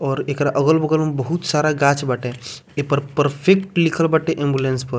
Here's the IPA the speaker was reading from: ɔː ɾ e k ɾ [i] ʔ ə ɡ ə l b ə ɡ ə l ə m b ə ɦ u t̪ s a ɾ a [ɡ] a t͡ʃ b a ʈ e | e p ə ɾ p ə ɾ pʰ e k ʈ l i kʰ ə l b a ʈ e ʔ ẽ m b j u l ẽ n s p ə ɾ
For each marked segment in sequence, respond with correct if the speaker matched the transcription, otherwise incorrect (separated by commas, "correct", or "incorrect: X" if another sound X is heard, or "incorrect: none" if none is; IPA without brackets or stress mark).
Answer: incorrect: a, correct